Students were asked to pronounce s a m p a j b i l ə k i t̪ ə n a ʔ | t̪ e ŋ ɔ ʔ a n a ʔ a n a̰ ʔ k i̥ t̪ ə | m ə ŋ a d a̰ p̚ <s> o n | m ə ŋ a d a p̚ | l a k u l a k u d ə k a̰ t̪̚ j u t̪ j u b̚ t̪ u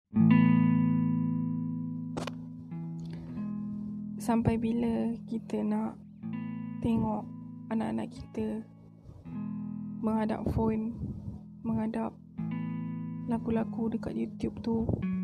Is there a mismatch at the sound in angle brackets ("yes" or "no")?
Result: yes